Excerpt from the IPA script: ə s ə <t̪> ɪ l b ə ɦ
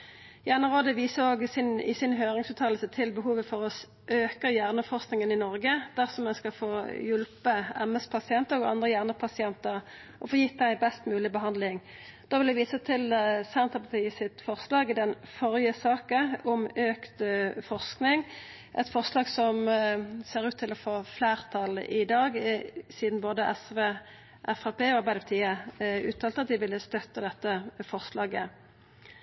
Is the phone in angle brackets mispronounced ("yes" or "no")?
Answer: yes